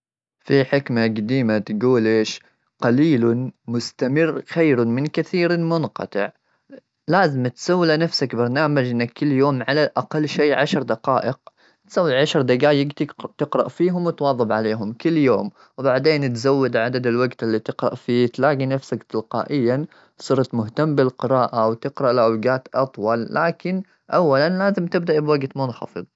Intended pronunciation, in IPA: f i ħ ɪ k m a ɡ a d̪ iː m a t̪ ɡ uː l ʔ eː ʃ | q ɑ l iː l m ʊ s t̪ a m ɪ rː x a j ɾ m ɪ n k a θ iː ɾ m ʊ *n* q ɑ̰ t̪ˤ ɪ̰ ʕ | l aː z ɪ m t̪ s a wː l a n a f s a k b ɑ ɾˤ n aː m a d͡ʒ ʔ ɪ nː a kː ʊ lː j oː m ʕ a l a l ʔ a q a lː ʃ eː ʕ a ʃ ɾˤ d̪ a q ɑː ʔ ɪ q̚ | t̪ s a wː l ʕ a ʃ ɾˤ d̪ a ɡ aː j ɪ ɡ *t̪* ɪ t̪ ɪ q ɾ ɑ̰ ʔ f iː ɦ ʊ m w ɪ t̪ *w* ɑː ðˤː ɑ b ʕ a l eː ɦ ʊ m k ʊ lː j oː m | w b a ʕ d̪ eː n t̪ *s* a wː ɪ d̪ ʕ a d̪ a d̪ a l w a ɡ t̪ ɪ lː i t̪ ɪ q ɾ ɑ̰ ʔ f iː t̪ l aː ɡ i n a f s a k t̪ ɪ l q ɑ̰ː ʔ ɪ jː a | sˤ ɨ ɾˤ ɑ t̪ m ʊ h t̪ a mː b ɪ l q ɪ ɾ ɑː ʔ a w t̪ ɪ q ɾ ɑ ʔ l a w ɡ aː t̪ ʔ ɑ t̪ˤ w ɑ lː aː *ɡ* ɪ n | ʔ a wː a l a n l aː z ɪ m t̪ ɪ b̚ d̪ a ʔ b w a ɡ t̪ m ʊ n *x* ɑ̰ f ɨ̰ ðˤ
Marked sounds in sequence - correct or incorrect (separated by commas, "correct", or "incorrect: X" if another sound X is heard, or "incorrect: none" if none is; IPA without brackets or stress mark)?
correct, correct, correct, incorrect: z, incorrect: k, correct